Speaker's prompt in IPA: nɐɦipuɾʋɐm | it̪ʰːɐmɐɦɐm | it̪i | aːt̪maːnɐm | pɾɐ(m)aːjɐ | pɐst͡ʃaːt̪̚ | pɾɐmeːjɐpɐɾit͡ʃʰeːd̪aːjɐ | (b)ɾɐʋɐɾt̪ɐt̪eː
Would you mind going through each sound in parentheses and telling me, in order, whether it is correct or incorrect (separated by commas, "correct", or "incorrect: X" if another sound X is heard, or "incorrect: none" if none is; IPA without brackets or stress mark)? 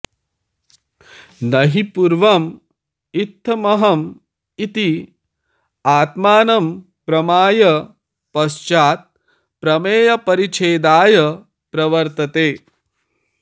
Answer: correct, incorrect: p